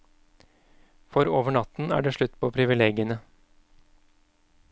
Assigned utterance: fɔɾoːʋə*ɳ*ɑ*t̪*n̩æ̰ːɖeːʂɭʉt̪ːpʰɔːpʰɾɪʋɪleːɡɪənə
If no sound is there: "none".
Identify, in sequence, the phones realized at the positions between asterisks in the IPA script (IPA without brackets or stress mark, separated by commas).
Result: ɳ, t̪